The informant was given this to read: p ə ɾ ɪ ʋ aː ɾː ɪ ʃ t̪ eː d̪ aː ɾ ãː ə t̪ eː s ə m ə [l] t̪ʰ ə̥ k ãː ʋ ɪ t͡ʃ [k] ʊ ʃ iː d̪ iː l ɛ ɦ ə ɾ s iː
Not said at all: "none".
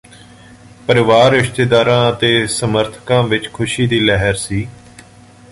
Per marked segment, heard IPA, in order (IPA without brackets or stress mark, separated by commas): ɾ, kʰ